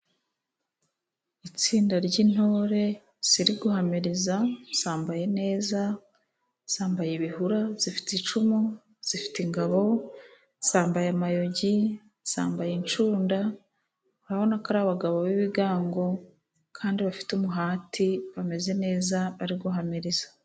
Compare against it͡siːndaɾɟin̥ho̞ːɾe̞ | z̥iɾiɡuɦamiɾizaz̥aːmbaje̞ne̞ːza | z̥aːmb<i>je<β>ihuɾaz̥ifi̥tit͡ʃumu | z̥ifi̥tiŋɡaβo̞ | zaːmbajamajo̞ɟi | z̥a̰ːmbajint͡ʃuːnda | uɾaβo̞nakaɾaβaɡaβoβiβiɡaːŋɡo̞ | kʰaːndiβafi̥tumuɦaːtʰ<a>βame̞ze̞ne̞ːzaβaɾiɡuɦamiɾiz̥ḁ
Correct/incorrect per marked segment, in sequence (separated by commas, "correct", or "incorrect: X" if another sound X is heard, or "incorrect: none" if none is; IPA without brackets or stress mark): incorrect: a, correct, incorrect: i